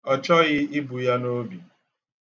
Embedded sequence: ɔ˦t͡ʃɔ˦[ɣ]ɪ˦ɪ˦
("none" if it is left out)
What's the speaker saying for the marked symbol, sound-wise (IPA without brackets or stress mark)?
ɣ